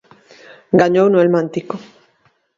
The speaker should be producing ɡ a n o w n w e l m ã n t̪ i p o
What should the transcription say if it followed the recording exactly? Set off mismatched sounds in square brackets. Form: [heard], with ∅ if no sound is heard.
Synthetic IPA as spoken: ɡ a [ɲ] o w n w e l m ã n t̪ i [k] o